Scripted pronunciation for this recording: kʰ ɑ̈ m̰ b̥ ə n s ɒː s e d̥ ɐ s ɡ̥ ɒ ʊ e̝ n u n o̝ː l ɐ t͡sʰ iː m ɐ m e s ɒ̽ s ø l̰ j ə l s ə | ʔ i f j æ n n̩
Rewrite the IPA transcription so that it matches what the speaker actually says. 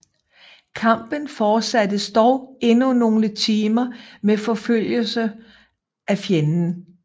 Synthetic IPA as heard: kʰ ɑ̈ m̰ b̥ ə n f ɒː s æ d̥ ə s d̥ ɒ ʊ e̝ n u n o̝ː l ə t͡sʰ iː m ɐ m e f ɒ̽ f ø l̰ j ə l s ə | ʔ æ f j e n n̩